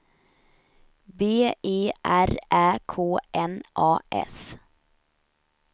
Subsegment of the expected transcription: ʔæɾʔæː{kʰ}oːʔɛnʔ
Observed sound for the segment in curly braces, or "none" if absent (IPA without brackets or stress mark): kʰ